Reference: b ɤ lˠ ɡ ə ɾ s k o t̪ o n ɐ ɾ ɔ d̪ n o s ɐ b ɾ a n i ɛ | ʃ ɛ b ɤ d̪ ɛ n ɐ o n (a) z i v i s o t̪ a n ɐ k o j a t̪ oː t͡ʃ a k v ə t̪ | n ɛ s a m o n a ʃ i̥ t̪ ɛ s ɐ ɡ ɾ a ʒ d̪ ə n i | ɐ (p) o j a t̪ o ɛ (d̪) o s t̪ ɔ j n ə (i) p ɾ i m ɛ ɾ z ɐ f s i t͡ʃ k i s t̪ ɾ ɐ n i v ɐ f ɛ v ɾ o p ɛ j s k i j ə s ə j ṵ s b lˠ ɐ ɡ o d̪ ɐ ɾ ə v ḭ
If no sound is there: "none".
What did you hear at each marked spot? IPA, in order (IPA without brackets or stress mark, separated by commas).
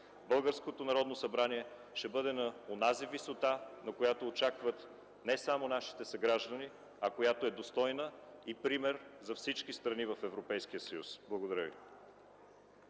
a, k, d̪, i